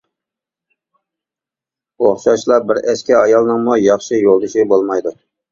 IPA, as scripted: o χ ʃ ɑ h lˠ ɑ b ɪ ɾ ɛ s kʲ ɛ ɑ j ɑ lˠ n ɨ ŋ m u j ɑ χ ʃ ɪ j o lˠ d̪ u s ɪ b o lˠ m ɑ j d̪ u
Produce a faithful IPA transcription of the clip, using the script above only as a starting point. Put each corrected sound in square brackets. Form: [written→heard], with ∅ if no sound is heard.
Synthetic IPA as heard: o χ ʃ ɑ [h→ʃ] lˠ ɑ b ɪ ɾ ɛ s kʲ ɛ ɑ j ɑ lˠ n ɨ ŋ m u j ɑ χ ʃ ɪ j o lˠ d̪ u [s→ʃ] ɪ b o lˠ m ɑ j d̪ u